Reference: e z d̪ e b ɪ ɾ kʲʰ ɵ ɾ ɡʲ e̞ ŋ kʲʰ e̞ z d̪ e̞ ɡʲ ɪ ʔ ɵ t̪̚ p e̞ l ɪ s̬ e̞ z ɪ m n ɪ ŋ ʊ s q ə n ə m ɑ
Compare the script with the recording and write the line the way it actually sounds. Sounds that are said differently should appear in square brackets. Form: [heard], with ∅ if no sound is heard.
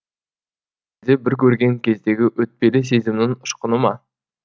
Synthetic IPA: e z d̪ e b ɪ ɾ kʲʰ ɵ ɾ ɡʲ e̞ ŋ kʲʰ e̞ z d̪ e̞ ɡʲ ɪ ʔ ɵ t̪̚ p e̞ l ɪ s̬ e̞ z ɪ m n ɪ ŋ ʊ [ʃ] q ə n ə m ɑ